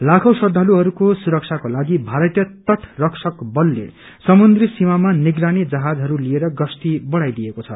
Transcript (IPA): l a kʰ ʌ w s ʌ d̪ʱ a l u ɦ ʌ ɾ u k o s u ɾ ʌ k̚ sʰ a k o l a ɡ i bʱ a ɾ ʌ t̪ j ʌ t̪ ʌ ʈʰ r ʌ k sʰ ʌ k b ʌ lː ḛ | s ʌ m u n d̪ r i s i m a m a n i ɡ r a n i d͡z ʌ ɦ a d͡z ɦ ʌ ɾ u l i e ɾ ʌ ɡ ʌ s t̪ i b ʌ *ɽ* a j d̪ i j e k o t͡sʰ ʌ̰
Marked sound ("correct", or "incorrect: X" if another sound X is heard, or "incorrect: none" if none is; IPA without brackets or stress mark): correct